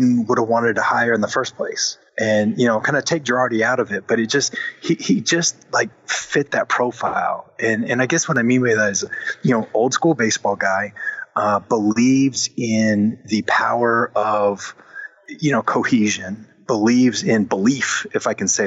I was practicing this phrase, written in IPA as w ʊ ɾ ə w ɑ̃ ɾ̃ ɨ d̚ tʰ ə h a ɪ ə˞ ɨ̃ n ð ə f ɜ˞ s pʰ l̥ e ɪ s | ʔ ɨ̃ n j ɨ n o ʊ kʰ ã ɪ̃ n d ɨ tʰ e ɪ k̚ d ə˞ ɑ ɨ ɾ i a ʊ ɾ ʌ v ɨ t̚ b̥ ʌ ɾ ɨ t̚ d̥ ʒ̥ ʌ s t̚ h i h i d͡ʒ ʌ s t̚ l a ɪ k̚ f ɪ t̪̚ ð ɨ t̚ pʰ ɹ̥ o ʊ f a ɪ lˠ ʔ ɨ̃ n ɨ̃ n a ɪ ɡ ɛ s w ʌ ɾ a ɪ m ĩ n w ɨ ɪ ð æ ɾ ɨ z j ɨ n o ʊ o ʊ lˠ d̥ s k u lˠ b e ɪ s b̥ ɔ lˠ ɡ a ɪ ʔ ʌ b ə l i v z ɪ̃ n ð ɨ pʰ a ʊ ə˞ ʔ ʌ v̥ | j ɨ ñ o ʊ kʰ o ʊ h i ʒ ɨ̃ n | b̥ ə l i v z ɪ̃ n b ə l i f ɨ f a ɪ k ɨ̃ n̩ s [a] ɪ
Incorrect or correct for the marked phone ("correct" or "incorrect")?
incorrect